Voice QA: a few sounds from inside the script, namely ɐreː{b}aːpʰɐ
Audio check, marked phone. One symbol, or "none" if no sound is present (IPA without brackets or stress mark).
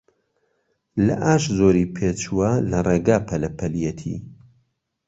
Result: ɡ